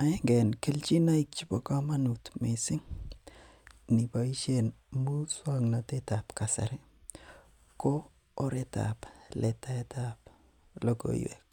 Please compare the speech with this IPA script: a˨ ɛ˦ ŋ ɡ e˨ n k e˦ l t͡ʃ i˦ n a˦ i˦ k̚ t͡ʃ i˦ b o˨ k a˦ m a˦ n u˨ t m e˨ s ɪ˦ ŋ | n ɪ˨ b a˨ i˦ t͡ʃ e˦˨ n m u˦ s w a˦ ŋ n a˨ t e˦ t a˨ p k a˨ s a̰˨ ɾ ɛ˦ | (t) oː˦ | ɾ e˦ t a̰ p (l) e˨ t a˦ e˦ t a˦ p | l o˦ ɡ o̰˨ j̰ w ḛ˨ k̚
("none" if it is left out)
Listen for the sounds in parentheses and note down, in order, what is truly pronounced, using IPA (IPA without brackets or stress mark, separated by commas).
k, l